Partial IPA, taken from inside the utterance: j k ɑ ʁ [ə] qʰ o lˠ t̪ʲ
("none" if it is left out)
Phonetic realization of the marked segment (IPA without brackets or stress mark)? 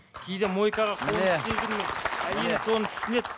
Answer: ɑ